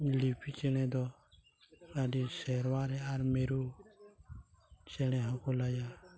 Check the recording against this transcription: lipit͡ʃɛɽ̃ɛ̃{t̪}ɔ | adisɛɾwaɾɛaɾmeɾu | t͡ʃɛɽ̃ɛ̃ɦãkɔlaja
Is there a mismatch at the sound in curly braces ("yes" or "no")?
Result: yes